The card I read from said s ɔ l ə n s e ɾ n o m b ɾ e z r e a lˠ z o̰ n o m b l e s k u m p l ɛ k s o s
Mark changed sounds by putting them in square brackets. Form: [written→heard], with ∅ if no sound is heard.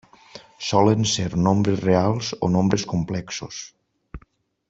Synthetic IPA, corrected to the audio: s ɔ l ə n s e ɾ n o m b ɾ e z r e a lˠ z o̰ n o m b [l→ɾ] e s k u m p l ɛ k s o s

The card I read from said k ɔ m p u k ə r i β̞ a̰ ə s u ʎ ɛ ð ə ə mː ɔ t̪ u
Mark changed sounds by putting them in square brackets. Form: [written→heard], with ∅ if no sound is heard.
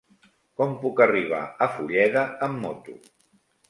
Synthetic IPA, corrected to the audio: k ɔ m p u k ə r i β̞ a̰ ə [s→f] u ʎ ɛ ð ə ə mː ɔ t̪ u

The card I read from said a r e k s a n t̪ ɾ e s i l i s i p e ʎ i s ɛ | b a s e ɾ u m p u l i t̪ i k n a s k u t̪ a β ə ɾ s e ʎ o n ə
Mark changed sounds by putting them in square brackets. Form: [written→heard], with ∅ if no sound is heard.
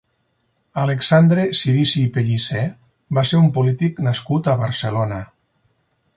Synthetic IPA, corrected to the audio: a [r→l] e k s a n [t̪→d̪] ɾ e s i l i s i p e ʎ i s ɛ | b a s e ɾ u m p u l i t̪ i k n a s k u t̪ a β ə ɾ s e [ʎ→l] o n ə

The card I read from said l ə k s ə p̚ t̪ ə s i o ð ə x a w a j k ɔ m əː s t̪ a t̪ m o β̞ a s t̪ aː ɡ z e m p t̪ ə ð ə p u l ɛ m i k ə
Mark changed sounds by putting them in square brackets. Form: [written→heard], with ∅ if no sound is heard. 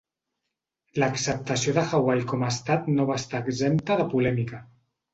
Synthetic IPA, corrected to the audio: l ə k s ə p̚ t̪ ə s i o ð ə x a w a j k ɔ m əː s t̪ a t̪ [m→n] o β̞ a s t̪ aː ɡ z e m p t̪ ə ð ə p u l ɛ m i k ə

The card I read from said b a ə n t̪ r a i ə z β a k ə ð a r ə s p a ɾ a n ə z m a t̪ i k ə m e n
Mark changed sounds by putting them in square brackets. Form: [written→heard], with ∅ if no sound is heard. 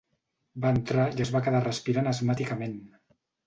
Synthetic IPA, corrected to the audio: b a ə n t̪ [r→ɾ] a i ə z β a k ə ð a r ə s p [a→i] ɾ a n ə z m a t̪ i k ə m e n

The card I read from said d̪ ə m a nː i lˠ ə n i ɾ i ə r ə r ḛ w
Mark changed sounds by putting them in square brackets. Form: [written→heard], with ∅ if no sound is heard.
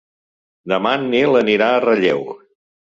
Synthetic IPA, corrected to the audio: d̪ ə m a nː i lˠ ə n i ɾ [i→a] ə r ə [r→ʎ] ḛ w

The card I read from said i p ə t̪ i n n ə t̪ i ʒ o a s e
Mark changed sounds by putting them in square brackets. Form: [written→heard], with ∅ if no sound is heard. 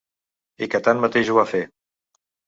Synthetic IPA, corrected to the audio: i [p→k] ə t̪ [i→a] n [n→m] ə t̪ [i→e] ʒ [o→u] a [s→f] e

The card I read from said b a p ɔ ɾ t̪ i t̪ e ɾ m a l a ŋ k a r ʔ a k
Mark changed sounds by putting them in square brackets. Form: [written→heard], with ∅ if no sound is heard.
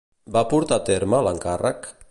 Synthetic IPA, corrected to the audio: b a p [ɔ→u] ɾ t̪ [i→a] t̪ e ɾ m a l a ŋ k a r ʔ a k

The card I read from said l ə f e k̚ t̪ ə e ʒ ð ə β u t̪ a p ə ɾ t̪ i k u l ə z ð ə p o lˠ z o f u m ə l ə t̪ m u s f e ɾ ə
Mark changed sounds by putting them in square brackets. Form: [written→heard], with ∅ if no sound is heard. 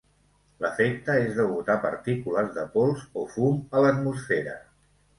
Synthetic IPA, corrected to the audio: l ə f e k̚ t̪ ə e [ʒ→z] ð ə β u t̪ a p ə ɾ t̪ i k u l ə z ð ə p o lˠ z o f u m ə l ə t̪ m u s f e ɾ ə

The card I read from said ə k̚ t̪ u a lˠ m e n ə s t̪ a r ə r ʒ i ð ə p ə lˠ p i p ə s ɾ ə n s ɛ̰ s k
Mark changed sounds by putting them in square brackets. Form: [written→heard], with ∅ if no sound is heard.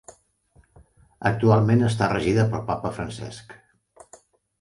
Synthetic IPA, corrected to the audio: ə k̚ t̪ u a lˠ m e n ə s t̪ a r ə [r→∅] ʒ i ð ə p ə lˠ p [i→a] p ə [s→f] ɾ ə n s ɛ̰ s k

